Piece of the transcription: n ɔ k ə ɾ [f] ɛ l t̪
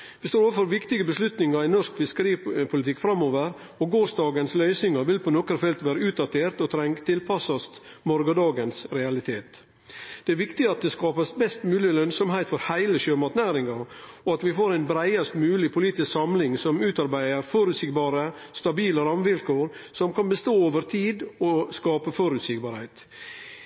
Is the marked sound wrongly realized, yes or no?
no